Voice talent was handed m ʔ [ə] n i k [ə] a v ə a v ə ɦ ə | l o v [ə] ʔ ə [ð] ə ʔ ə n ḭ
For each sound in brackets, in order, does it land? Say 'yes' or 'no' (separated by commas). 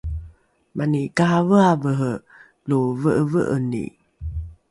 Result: no, no, yes, no